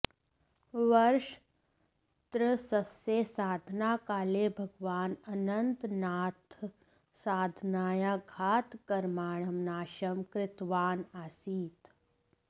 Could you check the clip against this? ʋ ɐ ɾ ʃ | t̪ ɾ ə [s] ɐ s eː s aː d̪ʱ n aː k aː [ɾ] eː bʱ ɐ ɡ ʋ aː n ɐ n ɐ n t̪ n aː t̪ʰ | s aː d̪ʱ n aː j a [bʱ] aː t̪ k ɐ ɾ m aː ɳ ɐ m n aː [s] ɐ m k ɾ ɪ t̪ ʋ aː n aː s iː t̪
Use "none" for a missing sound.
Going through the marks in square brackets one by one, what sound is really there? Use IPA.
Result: s, l, ɡʱ, ʃ

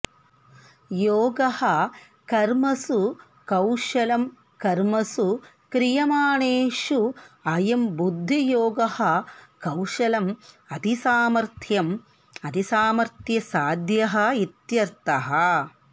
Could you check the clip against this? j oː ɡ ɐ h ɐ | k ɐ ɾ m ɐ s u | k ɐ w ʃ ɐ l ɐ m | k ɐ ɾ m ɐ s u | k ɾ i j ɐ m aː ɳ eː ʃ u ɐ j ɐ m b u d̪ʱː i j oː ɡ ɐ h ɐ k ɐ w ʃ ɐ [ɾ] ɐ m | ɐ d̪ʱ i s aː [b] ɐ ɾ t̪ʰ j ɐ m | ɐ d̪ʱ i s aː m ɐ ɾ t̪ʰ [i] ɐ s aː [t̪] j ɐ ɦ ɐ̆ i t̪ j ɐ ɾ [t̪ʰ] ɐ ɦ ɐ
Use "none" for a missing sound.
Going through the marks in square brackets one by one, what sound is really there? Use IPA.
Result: l, m, j, d̪, t̪

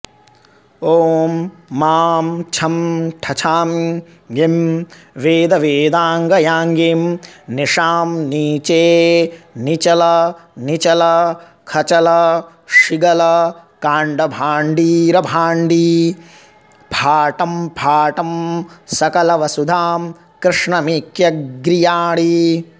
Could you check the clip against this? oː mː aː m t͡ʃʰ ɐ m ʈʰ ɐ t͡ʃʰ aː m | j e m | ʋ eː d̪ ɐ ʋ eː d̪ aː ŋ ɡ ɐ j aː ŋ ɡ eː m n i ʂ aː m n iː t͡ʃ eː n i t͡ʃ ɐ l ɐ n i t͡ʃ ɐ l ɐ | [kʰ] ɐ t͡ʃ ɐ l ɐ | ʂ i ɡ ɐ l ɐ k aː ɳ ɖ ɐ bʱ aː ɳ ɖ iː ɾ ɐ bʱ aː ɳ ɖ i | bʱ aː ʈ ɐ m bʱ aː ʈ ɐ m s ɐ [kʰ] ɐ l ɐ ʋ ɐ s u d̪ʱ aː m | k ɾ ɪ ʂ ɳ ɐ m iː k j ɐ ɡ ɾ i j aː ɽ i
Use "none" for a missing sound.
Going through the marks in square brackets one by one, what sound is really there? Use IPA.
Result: kʰ, k

